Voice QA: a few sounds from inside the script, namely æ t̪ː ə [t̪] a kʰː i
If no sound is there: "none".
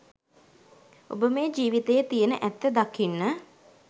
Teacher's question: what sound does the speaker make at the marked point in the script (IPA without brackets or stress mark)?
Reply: d̪